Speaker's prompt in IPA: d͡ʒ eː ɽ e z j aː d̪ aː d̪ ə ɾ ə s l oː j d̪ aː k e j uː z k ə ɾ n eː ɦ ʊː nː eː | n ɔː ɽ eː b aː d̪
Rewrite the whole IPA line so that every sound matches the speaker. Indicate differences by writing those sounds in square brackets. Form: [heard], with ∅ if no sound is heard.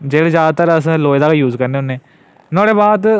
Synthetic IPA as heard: d͡ʒ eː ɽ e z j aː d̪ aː [t̪] ə ɾ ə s l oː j d̪ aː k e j uː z k ə ɾ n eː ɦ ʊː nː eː | n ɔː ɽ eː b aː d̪